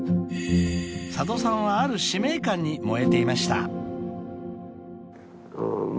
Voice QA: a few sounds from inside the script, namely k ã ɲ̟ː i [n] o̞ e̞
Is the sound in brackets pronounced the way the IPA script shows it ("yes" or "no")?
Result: no